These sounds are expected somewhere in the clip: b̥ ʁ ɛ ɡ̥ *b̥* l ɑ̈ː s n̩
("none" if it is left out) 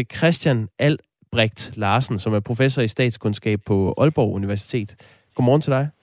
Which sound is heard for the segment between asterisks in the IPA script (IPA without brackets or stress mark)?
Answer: d̥